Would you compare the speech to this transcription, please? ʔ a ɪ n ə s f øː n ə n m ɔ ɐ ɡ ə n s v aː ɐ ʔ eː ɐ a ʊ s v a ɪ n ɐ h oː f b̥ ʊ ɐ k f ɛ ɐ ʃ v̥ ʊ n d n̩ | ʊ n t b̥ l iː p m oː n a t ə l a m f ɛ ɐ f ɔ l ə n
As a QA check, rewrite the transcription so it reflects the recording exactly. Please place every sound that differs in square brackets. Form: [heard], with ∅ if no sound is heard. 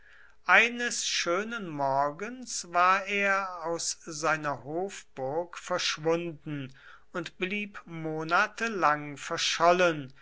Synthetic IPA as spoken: ʔ a ɪ n ə s [ʃ] øː n ə n m ɔ ɐ ɡ ə n s v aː ɐ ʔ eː ɐ a ʊ s [z] a ɪ n ɐ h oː f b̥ ʊ ɐ k f ɛ ɐ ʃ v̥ ʊ n d n̩ | ʊ n t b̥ l iː p m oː n a t ə l a [ŋ] f ɛ ɐ [ʃ] ɔ l ə n